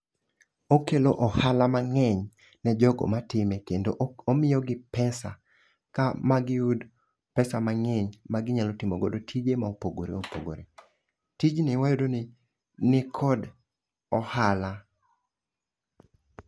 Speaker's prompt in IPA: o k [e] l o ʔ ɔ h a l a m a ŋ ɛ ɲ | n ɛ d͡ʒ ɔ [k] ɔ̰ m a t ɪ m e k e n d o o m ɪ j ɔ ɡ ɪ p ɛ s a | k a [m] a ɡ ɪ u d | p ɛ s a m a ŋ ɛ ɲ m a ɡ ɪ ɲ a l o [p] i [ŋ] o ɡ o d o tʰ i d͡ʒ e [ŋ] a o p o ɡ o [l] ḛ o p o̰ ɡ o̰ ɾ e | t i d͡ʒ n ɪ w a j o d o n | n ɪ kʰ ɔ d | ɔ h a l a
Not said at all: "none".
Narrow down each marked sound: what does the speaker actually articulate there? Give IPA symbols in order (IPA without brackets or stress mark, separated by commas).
e, ɡ, m, t, m, m, ɾ